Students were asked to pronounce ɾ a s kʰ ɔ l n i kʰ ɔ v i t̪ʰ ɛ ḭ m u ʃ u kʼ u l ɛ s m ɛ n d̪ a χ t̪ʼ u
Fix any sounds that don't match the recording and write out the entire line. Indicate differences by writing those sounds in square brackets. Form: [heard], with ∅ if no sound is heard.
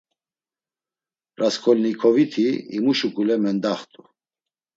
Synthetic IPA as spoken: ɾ a s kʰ ɔ l n i kʰ ɔ v i t̪ʰ [i] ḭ m u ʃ u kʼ u l ɛ [∅] m ɛ n d̪ a χ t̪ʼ u